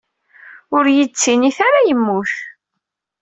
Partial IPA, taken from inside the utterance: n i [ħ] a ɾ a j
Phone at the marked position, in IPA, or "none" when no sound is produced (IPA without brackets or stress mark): θ